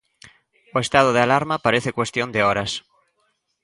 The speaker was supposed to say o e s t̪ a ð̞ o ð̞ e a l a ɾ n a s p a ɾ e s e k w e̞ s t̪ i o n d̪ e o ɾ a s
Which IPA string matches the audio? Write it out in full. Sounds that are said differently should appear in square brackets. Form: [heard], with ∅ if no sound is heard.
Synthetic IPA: o e s t̪ a ð̞ o ð̞ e a l a ɾ [m] a [∅] p a ɾ e [θ] e k w e̞ s t̪ [j] o n d̪ e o ɾ a s

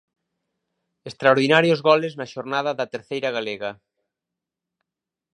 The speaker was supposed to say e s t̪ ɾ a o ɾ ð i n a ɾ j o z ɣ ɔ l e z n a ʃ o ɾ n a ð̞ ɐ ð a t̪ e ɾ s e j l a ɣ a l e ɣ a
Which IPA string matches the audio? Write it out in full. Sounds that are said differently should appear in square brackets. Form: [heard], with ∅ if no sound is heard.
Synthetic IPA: e s t̪ ɾ a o ɾ ð i n a ɾ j o z ɣ ɔ l e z n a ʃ o ɾ n a ð̞ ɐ ð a t̪ e ɾ [θ] e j [ɾ] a ɣ a l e ɣ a

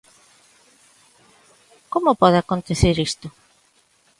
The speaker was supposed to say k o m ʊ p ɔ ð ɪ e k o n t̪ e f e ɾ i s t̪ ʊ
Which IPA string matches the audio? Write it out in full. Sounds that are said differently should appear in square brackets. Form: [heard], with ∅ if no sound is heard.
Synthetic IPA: k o m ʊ p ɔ ð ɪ [a] k o n t̪ e [θ] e ɾ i s t̪ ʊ

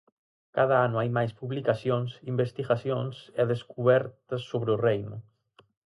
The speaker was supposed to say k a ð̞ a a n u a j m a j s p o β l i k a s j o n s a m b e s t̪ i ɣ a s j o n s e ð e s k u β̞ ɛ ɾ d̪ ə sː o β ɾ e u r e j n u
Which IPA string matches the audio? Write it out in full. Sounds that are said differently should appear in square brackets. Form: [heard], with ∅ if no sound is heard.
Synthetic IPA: k a ð̞ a a n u a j m a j s p [u] β l i k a s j o n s [i] m b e s t̪ i ɣ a s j o n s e ð e s k u β̞ ɛ ɾ [t̪] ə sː o β ɾ e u r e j n u

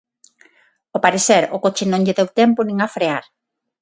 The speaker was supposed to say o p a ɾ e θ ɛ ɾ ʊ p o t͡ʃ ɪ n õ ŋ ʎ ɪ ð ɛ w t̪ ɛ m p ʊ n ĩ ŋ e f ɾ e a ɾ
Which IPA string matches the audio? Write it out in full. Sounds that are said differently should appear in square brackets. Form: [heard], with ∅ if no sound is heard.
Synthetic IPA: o p a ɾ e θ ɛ ɾ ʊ [k] o t͡ʃ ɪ n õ ŋ ʎ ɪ ð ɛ w t̪ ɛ m p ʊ n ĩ ŋ [a] f ɾ e a ɾ

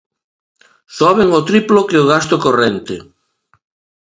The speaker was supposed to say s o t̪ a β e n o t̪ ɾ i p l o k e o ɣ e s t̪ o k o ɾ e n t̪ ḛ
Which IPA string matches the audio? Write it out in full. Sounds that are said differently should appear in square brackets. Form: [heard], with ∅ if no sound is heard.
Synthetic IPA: s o [∅] a β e [ŋ] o t̪ ɾ i p l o k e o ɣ [a] s t̪ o k o [r] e n t̪ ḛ

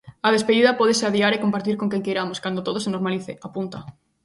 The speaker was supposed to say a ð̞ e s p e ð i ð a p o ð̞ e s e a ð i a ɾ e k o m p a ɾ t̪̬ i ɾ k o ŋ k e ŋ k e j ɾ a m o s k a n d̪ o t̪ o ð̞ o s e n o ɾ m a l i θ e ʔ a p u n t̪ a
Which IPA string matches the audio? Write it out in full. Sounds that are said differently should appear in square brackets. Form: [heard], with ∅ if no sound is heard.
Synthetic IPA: a ð̞ e s p e ð i ð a p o ð̞ e s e a ð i a ɾ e k o m p a ɾ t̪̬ i ɾ k o ŋ k e ŋ k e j ɾ a m o s k a n d̪ o t̪ o ð̞ o s e n o ɾ m a l i θ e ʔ a p u n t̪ a

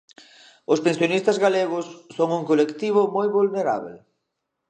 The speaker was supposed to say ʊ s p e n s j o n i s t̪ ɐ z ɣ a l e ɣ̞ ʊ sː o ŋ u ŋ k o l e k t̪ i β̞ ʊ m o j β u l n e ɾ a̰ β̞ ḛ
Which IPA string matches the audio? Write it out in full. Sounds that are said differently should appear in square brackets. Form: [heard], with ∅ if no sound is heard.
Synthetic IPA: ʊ s p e n s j o n i s t̪ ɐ z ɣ a l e ɣ̞ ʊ sː o ŋ u ŋ k o l e k t̪ i β̞ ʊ m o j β u l n e ɾ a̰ β̞ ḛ

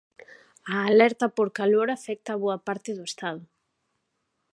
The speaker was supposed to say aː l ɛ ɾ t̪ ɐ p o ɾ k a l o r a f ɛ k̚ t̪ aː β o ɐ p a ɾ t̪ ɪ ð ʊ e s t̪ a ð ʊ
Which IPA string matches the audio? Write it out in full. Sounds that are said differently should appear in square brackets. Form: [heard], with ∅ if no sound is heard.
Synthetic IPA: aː l ɛ ɾ t̪ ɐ p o ɾ k a l o [ɾ] a f ɛ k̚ t̪ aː β o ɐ p a ɾ t̪ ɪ ð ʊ e s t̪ a ð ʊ

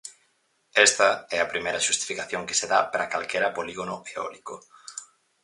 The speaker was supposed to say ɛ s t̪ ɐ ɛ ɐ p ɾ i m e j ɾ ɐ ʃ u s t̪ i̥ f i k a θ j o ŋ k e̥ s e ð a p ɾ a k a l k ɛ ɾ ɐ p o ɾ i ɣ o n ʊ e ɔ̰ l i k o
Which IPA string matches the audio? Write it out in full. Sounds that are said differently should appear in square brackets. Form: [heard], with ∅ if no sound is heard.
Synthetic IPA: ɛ s t̪ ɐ ɛ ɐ p ɾ i m e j ɾ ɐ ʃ u s t̪ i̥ f i k a θ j o ŋ k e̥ s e ð a p ɾ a k a l k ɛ ɾ ɐ p o [l] i ɣ o n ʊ e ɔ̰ l i k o

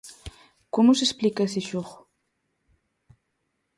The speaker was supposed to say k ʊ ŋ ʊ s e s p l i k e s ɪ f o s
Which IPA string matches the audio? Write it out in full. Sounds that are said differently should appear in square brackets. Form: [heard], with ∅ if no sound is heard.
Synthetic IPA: k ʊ [m] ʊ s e s p l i k [a] s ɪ [ʃ] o [χ]

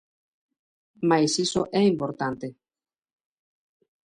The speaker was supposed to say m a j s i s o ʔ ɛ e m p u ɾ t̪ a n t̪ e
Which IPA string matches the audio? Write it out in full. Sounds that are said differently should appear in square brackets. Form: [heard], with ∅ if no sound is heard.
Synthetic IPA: m a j s i s o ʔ ɛ [i] m p [o] ɾ t̪ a n t̪ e

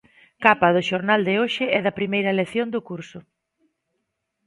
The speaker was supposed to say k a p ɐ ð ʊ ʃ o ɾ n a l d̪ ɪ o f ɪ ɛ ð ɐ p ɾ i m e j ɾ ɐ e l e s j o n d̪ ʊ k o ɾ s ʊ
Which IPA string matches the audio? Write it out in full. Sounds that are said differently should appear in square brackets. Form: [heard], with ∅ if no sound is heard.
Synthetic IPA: k a p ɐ ð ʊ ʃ o ɾ n a l d̪ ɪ o [ʃ] ɪ ɛ ð ɐ p ɾ i m e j ɾ ɐ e l e [θ] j o n d̪ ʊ k [u] ɾ s ʊ

